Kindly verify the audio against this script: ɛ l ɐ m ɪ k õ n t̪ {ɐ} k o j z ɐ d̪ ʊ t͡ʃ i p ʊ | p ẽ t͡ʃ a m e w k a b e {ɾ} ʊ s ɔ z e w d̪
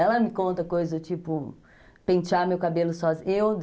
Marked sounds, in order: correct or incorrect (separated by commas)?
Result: correct, incorrect